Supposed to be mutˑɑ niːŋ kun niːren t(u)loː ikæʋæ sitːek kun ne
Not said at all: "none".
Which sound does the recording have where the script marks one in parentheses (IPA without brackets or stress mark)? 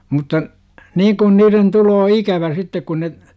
u